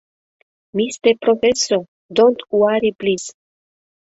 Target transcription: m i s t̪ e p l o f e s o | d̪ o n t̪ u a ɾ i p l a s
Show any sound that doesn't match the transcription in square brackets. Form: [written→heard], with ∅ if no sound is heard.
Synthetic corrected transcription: m i s t̪ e p [l→ɾ] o f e s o | d̪ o n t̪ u a ɾ i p l [a→i] s

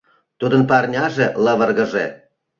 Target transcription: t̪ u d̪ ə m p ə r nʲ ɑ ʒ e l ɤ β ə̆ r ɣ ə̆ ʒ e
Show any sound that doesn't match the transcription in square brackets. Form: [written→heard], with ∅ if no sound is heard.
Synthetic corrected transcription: t̪ u d̪ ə [m→n] p [ə→ɑ] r nʲ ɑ ʒ e l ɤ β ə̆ r ɣ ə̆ ʒ e

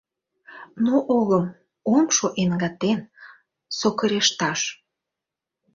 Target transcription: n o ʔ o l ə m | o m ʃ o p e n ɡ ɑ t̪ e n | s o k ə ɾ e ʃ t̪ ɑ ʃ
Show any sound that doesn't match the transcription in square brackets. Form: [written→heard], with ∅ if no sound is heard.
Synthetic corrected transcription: n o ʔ o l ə m | o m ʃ o [p→ʔ] e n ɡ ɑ t̪ e n | s o k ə ɾ e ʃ t̪ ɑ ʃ

